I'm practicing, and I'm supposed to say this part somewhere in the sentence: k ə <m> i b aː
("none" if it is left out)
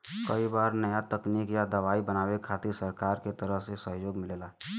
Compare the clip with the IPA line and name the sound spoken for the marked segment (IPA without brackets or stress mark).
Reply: none